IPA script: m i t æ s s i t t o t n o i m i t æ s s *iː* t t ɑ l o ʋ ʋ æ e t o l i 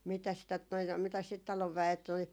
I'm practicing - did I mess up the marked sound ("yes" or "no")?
yes